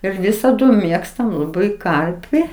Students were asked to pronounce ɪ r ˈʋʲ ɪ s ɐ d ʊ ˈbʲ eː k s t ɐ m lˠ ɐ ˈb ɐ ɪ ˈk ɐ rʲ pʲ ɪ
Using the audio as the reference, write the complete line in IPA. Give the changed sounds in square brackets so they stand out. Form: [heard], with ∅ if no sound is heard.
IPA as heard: ɪ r ˈʋʲ ɪ s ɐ d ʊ [ˈmʲ] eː k s t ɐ m lˠ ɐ ˈb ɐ ɪ ˈk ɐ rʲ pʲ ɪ